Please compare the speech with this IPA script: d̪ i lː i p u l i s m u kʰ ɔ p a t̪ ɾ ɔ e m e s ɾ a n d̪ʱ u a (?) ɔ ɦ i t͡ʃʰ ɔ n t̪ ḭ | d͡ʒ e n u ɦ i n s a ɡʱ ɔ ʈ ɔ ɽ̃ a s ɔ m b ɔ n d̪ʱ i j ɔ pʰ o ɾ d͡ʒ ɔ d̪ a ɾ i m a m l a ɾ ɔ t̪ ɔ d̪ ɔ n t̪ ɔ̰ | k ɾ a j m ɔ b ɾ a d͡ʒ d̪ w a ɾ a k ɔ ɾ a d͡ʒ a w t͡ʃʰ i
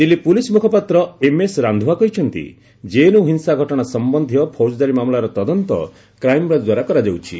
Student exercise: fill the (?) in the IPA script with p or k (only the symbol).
k